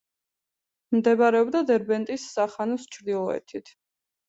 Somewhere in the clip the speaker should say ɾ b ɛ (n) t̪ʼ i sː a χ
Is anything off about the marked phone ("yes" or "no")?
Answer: no